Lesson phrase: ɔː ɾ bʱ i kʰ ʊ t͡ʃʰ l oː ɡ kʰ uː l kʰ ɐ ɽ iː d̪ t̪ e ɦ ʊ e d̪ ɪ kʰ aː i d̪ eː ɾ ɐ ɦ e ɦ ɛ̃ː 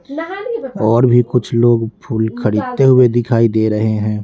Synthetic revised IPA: ɔː ɾ bʱ i k ʊ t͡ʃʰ l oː ɡ pʰ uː l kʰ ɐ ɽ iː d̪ t̪ e ɦ ʊ e d̪ ɪ kʰ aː i d̪ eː ɾ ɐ ɦ e ɦ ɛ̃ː